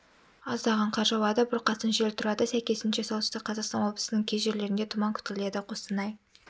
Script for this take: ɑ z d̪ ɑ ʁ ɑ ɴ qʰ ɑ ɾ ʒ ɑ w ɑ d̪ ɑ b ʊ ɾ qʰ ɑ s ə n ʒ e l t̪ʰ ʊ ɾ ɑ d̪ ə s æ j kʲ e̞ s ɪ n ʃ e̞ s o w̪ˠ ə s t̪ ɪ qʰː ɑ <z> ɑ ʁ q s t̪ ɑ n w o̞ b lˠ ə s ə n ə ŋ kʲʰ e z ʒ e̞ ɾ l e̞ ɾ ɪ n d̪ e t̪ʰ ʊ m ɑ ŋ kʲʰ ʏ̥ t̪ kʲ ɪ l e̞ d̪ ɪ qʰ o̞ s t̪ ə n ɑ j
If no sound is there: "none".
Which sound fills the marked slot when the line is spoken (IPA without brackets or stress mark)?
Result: z